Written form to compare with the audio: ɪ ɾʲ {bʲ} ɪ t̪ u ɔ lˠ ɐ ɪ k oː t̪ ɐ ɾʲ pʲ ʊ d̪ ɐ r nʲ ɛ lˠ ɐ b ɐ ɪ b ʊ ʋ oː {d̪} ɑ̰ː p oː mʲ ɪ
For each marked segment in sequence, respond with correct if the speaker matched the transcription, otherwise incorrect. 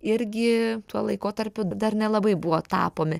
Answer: incorrect, incorrect

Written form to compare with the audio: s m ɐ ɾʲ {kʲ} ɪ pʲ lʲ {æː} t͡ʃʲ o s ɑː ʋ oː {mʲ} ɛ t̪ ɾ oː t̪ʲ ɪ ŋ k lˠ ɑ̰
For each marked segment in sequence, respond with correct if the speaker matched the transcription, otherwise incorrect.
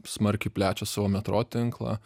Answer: correct, correct, correct

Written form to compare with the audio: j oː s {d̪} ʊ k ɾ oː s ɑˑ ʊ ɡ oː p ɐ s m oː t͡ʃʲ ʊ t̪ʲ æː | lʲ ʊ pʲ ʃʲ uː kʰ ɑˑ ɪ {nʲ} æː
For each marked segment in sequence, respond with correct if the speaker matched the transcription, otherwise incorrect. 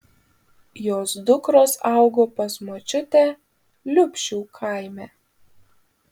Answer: correct, incorrect

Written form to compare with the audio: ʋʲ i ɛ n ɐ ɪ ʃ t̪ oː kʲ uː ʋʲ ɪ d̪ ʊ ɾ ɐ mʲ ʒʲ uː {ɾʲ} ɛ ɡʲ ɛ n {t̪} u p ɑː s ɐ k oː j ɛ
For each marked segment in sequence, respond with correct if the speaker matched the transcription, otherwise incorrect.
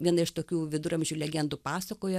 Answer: incorrect, incorrect

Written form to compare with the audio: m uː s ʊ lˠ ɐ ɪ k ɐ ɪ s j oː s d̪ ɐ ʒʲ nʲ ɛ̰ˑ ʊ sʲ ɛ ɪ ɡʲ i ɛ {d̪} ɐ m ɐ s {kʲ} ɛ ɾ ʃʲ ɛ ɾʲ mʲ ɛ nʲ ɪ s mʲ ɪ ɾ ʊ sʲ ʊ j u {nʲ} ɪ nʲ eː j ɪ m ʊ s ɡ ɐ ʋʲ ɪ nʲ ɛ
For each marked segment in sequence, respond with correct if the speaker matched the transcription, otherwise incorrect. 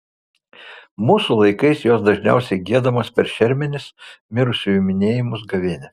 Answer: correct, incorrect, incorrect

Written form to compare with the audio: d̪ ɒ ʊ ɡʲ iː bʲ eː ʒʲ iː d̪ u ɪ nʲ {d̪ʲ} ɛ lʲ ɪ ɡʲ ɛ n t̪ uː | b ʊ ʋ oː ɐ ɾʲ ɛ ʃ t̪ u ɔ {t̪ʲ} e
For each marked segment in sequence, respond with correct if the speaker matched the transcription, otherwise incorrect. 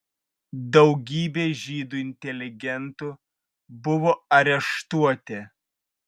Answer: incorrect, correct

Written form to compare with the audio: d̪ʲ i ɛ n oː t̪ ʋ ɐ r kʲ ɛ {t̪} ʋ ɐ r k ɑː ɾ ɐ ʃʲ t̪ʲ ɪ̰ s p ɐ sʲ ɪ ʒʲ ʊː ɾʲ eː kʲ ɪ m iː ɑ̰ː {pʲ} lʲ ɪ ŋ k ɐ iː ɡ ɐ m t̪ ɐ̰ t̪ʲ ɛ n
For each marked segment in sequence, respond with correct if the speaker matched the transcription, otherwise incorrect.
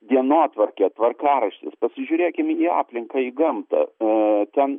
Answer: correct, correct

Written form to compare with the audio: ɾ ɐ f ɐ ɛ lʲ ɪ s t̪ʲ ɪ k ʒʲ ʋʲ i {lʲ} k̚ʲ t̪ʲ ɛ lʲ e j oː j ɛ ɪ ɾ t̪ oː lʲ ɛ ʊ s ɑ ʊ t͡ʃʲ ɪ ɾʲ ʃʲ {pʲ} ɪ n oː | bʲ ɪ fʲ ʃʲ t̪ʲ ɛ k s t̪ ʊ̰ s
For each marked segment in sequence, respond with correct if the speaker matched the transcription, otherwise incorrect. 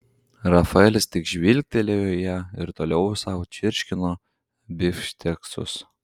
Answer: correct, incorrect

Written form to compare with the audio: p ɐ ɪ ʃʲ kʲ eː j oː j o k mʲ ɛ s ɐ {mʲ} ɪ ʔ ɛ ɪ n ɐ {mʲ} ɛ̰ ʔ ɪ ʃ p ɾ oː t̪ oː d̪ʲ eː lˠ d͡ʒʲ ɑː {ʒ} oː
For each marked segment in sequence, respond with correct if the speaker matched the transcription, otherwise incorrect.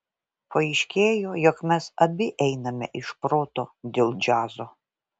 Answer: incorrect, correct, incorrect

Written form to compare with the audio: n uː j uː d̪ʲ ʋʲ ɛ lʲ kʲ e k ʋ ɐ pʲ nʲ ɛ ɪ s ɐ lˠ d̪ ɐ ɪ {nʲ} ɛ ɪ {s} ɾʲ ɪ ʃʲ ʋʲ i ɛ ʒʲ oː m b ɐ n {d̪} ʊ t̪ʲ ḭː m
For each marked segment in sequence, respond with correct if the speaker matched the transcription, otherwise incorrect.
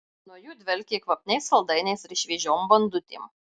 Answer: correct, correct, correct

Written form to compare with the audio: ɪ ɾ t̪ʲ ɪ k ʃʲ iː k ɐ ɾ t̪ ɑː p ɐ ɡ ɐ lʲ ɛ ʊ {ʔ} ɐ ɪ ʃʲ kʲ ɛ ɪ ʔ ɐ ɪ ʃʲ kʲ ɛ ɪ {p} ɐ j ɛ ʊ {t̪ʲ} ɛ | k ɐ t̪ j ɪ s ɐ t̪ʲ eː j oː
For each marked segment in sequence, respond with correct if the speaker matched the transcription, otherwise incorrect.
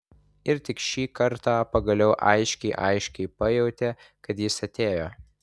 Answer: correct, correct, correct

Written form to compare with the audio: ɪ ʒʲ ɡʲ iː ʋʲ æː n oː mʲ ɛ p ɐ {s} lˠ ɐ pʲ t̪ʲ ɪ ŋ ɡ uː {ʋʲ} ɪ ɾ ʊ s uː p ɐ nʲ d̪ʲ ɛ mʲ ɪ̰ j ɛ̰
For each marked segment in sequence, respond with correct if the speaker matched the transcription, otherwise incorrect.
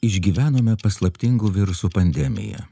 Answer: correct, correct

